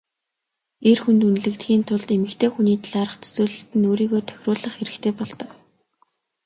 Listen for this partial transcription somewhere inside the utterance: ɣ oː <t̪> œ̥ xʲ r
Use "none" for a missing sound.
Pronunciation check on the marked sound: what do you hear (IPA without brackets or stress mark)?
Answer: t̪ʰ